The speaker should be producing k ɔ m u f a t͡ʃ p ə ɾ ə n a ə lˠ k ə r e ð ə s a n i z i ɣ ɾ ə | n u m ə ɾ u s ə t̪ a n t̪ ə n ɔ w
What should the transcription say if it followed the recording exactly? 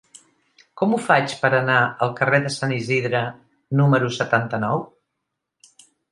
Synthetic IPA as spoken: k ɔ m u f a t͡ʃ p ə ɾ ə n a ə lˠ k ə r e ð ə s a n i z i ð ɾ ə | n u m ə ɾ u s ə t̪ a n t̪ ə n ɔ w